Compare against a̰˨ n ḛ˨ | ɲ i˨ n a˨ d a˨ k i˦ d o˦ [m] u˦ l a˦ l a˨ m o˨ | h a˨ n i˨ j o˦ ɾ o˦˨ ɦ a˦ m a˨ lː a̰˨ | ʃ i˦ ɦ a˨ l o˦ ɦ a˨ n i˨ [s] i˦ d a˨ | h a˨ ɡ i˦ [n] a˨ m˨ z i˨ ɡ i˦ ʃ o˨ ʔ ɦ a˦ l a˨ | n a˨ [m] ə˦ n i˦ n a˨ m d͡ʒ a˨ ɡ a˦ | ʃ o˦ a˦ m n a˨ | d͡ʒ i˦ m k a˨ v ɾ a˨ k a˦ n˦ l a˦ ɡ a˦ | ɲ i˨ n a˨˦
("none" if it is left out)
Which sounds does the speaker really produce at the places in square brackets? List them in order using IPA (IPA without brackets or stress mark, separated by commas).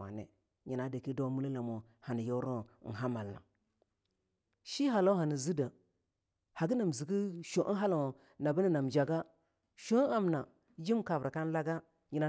m, z, n, b